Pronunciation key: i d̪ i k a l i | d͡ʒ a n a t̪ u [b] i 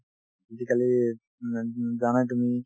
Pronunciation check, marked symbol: incorrect: m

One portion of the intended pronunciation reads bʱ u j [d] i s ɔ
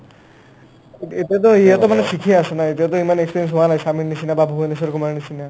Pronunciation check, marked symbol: incorrect: n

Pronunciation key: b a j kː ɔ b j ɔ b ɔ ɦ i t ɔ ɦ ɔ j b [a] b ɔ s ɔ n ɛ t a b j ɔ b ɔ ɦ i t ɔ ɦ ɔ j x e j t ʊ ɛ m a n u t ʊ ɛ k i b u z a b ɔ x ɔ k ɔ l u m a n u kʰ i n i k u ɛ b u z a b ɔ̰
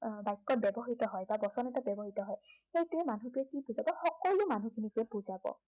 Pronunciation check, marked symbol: correct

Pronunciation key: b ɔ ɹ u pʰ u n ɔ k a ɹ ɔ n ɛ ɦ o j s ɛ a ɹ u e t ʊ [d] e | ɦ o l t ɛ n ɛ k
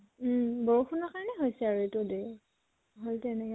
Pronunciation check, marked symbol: correct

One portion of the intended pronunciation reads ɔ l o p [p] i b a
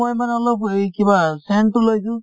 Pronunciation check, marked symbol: incorrect: k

